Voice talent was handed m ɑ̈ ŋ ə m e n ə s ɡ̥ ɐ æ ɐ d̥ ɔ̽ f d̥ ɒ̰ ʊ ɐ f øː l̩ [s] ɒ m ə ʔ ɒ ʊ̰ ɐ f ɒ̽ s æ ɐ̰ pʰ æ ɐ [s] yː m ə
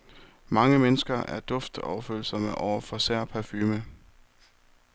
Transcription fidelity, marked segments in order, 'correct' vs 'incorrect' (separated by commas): correct, incorrect